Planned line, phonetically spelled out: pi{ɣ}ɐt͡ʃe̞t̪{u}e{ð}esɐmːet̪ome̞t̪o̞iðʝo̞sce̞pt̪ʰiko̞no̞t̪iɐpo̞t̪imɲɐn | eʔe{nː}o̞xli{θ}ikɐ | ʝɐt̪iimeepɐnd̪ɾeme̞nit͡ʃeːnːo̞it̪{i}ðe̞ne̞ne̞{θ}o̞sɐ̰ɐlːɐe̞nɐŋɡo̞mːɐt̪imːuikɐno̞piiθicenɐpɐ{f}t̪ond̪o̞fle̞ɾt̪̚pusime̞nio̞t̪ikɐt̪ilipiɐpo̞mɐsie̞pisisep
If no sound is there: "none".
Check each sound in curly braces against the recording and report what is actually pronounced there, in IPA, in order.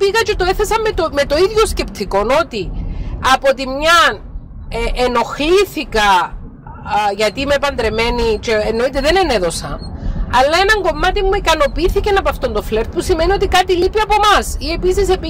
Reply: ɣ, o, θ, n, θ, e, ð, f

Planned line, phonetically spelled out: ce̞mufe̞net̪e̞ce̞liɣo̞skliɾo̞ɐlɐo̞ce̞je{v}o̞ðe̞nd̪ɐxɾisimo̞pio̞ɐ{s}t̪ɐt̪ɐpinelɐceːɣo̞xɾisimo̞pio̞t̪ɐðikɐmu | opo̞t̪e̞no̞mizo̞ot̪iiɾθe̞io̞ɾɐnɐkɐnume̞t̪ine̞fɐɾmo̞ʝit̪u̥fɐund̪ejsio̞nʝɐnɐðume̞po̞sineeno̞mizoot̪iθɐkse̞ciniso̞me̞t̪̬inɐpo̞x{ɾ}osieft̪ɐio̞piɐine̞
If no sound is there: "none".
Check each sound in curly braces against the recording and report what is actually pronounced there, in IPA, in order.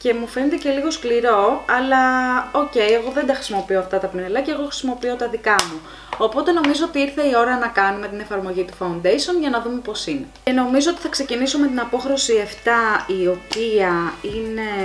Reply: ɣ, f, ɾ

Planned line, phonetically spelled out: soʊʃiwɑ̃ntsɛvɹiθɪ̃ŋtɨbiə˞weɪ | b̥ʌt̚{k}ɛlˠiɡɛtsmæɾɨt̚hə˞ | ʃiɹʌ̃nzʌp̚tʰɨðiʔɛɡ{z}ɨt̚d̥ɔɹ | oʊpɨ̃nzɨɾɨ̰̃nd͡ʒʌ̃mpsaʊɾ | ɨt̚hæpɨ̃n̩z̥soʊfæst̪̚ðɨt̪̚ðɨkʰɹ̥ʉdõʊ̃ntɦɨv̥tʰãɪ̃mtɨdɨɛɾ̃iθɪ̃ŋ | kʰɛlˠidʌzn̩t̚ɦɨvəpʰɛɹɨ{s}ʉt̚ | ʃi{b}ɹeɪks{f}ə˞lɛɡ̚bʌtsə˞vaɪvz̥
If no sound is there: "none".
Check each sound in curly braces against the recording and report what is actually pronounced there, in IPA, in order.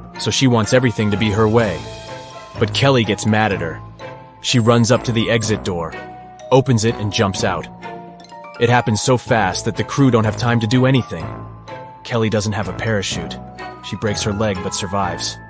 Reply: kʰ, z, ʃ, b, h

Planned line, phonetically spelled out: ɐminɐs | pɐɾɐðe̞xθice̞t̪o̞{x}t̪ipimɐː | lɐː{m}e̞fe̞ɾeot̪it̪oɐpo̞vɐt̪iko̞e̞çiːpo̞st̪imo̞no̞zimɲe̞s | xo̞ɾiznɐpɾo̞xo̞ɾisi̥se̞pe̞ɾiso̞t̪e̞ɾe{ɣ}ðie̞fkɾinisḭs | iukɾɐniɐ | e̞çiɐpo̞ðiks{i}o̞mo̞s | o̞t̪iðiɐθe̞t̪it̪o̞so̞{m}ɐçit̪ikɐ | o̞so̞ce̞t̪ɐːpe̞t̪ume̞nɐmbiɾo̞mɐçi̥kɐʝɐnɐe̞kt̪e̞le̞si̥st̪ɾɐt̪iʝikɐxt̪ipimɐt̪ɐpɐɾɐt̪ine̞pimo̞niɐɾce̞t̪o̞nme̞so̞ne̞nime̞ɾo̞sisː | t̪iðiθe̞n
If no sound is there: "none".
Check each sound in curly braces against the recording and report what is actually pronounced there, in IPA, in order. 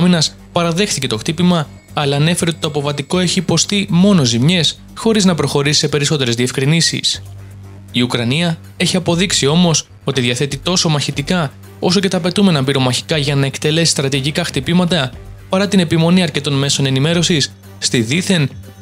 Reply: x, n, z, i, m

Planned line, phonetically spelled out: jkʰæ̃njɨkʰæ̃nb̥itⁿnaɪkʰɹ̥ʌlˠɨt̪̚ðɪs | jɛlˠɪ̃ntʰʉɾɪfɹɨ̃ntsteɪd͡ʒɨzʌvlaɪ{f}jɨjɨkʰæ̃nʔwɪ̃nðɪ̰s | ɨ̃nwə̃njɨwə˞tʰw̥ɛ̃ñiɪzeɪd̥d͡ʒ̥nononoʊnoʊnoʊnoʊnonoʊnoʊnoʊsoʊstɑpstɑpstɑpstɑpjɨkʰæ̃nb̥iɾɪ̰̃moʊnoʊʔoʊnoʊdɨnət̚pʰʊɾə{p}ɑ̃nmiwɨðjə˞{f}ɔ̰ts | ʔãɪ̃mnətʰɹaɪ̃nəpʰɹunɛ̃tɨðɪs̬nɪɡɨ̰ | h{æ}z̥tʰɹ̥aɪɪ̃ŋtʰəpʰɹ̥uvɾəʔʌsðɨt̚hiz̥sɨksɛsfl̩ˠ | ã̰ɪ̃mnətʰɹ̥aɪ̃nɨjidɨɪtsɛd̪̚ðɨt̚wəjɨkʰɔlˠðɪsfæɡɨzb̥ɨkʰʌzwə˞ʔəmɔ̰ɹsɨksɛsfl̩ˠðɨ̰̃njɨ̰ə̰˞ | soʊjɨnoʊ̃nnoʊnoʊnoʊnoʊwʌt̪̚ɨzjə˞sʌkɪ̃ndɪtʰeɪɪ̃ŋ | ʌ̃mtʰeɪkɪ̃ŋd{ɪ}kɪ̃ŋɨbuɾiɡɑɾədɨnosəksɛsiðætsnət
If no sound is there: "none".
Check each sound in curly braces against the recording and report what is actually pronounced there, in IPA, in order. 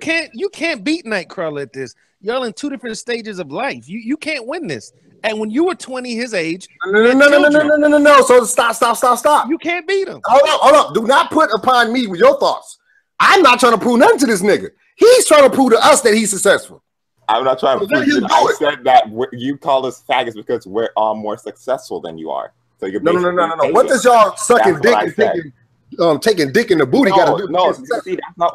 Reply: f, pʰ, θ, i, ɪ

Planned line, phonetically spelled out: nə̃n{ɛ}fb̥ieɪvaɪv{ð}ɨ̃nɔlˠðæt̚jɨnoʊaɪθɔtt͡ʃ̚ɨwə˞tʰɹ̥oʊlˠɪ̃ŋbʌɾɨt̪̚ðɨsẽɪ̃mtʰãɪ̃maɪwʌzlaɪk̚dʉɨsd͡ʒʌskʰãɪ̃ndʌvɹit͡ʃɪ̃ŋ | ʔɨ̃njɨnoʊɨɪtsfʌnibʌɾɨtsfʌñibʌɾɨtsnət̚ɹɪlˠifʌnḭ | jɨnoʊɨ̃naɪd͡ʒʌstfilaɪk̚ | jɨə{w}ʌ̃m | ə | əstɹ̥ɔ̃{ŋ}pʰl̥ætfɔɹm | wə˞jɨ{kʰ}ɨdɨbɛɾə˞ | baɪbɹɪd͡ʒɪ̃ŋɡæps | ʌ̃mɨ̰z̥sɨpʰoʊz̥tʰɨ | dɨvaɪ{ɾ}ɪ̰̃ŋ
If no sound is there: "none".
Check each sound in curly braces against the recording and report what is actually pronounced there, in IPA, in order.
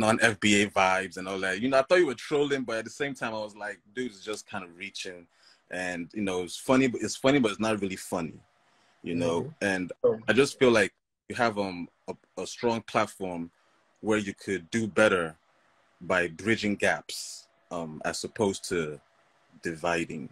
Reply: ɛ, z, v, ŋ, kʰ, ɾ

